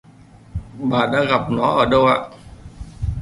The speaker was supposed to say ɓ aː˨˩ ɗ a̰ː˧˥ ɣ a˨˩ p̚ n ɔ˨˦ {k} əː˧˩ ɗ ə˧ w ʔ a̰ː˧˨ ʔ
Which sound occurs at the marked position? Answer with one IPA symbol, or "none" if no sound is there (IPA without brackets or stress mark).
ʔ